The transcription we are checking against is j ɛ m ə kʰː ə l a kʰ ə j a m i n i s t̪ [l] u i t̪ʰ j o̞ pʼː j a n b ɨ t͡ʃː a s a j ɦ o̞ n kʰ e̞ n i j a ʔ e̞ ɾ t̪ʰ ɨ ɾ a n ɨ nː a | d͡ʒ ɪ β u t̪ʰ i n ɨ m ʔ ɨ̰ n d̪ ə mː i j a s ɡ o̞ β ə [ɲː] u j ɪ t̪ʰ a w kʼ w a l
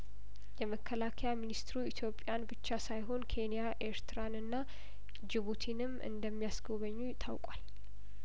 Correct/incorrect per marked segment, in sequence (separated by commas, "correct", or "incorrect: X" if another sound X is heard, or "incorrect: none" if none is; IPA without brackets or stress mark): incorrect: ɾ, correct